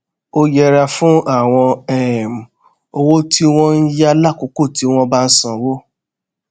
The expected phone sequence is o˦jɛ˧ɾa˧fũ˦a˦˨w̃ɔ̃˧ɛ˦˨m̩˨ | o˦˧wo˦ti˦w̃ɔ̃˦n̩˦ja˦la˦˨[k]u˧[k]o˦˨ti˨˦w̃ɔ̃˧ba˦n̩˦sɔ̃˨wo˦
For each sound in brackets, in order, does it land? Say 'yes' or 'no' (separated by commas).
yes, yes